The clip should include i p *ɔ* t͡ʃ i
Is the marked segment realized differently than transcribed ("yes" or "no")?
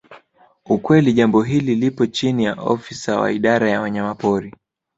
no